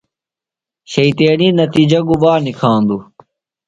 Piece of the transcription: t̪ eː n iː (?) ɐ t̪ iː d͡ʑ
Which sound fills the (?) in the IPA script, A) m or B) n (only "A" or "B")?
B